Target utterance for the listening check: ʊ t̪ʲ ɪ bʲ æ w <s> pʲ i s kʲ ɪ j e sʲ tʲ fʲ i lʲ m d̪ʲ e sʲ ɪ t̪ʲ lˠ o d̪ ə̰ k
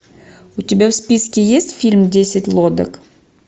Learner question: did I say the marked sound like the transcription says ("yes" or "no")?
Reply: yes